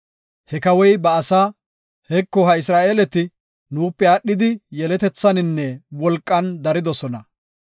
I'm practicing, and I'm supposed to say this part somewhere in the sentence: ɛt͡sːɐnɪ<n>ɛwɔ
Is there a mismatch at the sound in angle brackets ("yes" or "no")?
yes